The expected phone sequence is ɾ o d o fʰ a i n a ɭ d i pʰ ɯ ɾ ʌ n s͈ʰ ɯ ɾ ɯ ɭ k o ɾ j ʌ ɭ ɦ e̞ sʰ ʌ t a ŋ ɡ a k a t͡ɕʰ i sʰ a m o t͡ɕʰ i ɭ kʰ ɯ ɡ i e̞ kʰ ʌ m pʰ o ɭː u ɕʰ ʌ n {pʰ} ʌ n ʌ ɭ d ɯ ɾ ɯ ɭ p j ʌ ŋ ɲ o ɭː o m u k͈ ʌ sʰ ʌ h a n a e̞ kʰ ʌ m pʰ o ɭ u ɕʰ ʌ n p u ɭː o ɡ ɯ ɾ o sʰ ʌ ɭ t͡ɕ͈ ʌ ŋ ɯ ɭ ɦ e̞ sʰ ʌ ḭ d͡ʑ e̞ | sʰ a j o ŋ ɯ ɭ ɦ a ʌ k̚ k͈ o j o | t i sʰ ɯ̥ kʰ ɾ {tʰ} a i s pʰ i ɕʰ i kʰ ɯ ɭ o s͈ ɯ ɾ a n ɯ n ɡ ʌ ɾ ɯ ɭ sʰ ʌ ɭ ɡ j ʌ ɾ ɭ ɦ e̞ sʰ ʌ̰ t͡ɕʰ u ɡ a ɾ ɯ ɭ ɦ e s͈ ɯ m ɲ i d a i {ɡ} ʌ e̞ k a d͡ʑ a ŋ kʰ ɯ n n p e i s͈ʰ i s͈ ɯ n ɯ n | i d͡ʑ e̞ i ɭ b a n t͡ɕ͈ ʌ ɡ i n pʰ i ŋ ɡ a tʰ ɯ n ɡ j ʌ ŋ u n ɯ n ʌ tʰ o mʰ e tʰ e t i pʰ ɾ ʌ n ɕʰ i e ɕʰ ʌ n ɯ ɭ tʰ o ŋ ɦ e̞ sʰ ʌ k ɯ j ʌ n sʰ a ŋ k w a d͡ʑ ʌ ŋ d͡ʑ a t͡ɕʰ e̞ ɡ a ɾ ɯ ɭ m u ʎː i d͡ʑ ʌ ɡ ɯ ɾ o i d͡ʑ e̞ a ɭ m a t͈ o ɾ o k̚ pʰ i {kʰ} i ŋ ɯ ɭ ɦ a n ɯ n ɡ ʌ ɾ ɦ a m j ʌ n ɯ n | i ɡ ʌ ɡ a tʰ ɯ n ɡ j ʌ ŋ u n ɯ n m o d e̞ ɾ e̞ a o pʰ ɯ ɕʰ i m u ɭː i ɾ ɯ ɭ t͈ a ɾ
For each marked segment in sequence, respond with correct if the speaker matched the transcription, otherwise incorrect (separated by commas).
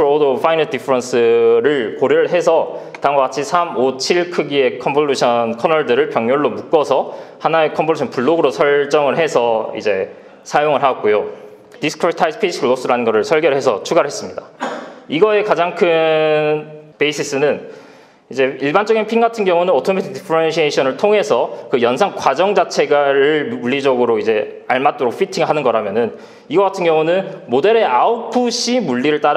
incorrect, correct, correct, incorrect